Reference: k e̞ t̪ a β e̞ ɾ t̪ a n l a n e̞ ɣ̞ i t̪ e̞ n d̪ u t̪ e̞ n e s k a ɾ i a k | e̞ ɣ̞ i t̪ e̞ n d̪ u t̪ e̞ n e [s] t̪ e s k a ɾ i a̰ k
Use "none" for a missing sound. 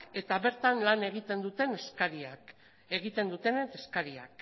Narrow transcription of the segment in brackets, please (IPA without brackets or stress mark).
none